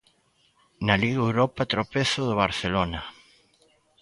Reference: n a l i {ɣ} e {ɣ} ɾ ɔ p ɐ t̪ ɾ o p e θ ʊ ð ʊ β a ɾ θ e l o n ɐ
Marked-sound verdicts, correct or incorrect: correct, incorrect: w

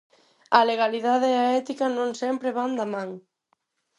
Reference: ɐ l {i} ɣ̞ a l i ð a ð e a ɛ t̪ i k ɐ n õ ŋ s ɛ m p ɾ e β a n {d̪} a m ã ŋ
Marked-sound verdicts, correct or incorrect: incorrect: e, correct

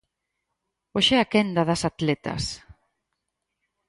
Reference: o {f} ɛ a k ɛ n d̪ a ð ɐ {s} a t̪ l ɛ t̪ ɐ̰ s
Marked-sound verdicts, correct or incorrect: incorrect: ʃ, correct

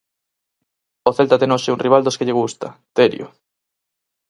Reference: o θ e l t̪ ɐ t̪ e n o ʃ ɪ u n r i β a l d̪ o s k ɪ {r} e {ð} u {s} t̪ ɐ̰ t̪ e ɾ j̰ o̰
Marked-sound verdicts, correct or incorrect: incorrect: ʎ, incorrect: ɣ, correct

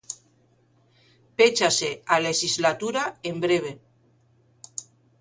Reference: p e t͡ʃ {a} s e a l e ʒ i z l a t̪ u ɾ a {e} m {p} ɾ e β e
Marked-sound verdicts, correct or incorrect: correct, correct, incorrect: b

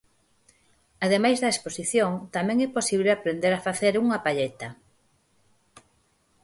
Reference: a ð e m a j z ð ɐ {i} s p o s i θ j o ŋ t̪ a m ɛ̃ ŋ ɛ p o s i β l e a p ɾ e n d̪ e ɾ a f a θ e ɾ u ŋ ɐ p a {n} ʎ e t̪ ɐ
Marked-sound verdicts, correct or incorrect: incorrect: e, incorrect: none

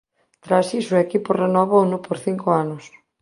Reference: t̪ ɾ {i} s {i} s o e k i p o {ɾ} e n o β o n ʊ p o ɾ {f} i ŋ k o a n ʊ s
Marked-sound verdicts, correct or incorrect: incorrect: a, correct, incorrect: r, incorrect: θ

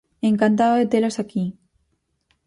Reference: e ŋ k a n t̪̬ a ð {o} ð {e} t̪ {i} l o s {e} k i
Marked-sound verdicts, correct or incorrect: correct, correct, incorrect: e, incorrect: a

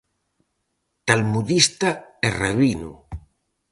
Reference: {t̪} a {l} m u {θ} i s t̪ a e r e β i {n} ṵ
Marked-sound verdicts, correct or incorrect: correct, correct, incorrect: ð, correct

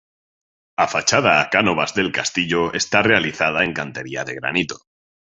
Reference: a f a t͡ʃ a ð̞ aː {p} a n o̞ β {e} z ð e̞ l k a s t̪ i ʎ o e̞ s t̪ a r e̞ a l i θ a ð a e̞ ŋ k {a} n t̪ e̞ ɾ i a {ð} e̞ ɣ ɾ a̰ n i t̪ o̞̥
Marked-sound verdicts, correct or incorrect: incorrect: k, incorrect: a, correct, correct

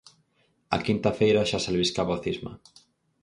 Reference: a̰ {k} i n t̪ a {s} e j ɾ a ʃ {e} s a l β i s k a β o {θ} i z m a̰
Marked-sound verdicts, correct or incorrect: correct, incorrect: f, incorrect: a, correct

